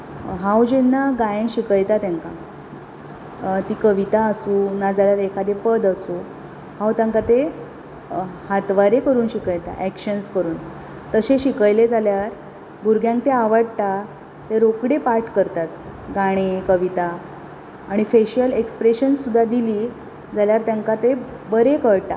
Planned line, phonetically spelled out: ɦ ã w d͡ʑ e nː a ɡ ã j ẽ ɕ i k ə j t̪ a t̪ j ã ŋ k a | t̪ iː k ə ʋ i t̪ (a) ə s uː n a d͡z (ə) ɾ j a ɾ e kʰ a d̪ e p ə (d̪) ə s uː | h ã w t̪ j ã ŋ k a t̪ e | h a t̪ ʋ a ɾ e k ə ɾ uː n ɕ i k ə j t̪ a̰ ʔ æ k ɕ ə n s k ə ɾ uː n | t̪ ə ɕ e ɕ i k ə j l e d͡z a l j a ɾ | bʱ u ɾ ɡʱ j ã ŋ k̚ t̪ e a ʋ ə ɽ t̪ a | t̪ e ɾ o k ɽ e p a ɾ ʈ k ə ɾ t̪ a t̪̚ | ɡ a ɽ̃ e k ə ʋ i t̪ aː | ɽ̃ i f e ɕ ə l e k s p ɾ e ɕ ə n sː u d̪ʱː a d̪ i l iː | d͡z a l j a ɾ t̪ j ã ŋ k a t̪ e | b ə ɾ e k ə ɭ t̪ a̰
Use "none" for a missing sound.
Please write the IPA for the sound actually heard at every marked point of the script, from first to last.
a, a, d̪

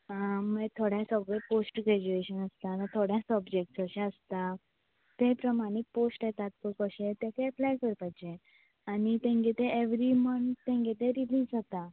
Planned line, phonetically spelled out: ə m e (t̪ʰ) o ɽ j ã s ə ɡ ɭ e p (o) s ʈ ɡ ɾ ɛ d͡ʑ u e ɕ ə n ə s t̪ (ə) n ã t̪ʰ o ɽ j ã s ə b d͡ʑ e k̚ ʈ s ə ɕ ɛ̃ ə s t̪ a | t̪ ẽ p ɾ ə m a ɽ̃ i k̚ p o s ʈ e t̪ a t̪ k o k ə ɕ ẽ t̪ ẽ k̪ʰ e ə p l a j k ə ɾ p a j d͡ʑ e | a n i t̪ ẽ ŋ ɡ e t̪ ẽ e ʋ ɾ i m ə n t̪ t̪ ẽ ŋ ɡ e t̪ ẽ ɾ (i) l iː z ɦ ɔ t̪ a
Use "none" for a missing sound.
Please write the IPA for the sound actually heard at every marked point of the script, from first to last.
t̪ʰ, o, a, i

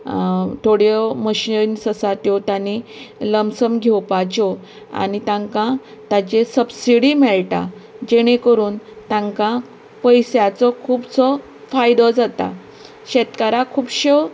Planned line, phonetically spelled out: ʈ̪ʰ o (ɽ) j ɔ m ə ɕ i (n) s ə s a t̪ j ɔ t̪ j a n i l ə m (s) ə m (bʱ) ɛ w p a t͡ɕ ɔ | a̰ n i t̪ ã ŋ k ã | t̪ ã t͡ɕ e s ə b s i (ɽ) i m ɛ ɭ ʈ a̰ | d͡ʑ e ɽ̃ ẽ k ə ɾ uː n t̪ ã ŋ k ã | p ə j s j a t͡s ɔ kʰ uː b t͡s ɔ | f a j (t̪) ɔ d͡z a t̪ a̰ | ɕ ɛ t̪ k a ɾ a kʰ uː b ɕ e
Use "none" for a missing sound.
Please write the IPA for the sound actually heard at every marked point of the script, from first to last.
ɽ, n, s, ɡʱ, ɽ, d̪

